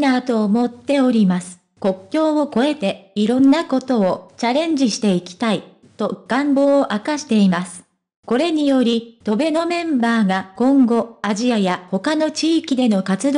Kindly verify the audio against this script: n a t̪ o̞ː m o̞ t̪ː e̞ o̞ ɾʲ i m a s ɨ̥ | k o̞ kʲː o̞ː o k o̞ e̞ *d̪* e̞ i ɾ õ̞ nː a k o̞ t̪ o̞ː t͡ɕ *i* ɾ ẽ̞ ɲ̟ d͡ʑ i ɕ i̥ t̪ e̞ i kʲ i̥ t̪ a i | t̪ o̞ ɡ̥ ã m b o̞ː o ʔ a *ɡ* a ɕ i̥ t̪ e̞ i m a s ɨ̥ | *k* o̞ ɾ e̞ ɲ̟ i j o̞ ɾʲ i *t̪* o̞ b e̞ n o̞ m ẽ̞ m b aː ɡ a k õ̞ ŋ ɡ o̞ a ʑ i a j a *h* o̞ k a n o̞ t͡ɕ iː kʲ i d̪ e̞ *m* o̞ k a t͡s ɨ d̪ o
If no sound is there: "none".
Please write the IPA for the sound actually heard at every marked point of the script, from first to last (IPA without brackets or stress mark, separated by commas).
t̪, a, k, k, t̪, h, n